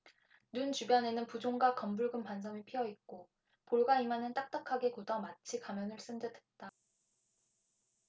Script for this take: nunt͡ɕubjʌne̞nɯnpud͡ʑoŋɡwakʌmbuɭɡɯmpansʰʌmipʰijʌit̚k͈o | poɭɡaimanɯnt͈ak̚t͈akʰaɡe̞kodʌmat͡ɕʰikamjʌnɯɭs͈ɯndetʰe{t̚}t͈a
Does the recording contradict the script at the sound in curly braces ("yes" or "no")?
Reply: no